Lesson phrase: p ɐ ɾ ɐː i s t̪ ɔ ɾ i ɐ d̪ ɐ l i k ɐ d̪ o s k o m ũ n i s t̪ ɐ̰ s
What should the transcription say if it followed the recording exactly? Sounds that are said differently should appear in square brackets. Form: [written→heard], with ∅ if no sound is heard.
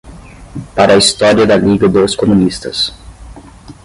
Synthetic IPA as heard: p [ɐ→a] ɾ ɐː i s t̪ ɔ ɾ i ɐ d̪ ɐ l i [k→ɡ] ɐ d̪ o s k o m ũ n i s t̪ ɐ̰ s